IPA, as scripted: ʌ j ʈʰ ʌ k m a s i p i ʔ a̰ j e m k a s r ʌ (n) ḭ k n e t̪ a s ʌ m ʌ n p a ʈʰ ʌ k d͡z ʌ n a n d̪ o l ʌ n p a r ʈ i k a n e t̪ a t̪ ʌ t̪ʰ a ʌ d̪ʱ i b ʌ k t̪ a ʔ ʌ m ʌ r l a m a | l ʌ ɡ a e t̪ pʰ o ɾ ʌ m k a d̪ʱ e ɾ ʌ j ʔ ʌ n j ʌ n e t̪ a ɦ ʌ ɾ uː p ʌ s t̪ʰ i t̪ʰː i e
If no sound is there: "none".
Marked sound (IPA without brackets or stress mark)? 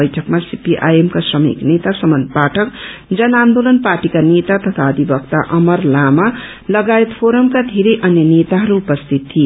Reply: m